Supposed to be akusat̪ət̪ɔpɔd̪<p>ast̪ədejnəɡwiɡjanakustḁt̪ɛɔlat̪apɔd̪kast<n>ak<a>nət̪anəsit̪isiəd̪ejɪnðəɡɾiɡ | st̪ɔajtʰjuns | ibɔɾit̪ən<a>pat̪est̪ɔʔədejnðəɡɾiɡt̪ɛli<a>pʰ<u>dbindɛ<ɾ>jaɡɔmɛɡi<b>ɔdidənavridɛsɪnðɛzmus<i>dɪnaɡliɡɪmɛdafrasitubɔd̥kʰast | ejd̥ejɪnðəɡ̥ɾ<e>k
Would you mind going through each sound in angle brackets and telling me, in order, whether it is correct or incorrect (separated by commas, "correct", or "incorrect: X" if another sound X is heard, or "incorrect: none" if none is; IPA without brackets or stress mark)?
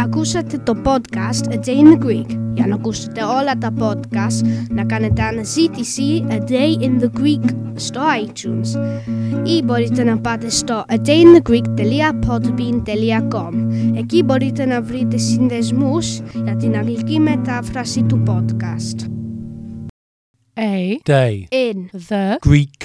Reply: incorrect: k, correct, correct, correct, correct, incorrect: ɔ, incorrect: l, correct, incorrect: a, incorrect: i